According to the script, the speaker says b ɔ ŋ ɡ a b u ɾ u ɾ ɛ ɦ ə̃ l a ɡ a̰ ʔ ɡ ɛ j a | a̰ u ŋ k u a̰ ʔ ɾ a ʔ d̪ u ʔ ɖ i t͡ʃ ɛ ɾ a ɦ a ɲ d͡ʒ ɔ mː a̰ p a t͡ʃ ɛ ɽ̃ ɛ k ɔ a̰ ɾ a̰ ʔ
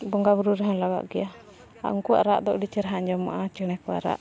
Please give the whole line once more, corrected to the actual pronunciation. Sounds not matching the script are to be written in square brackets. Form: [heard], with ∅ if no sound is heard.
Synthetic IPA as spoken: b ɔ ŋ ɡ a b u ɾ u ɾ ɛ ɦ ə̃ l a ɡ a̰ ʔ ɡ ɛ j a | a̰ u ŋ k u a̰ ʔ ɾ a ʔ d̪ [ɔ] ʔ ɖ i t͡ʃ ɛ ɾ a ɦ a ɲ d͡ʒ ɔ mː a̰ [ʔ] a t͡ʃ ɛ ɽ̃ ɛ k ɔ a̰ ɾ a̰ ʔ